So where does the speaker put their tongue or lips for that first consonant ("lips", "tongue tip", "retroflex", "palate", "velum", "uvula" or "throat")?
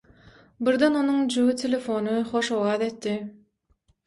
lips